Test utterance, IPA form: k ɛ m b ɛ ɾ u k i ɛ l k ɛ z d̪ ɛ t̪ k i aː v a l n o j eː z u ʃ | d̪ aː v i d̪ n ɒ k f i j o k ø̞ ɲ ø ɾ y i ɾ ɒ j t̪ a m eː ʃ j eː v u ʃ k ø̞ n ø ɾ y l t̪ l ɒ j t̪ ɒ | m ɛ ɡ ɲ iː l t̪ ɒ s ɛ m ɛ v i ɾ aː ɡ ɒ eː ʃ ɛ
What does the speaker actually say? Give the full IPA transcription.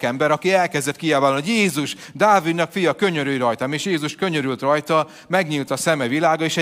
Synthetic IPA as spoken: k ɛ m b ɛ ɾ ɒ k i ɛ l k ɛ z d̪ ɛ t̪ k i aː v a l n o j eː z u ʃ | d̪ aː v i d̪ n ɒ k f i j ɒ k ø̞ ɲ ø ɾ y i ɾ ɒ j t̪ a m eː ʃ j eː z u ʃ k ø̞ ɲ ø ɾ y l t̪ r ɒ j t̪ ɒ | m ɛ ɡ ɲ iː l t̪ ɒ s ɛ m ɛ v i l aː ɡ ɒ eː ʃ ɛ